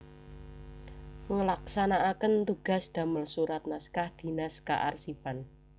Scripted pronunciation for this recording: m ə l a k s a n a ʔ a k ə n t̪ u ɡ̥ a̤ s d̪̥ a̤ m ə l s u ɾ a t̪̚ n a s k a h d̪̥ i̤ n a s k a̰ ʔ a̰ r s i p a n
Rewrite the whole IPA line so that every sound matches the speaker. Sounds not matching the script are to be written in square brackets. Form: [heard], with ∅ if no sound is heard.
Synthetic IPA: [ŋ] ə l a k s a n a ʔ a k ə n t̪ u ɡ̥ a̤ s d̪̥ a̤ m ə l s u ɾ a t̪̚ n a s k a h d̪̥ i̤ n a s k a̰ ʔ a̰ r s i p a n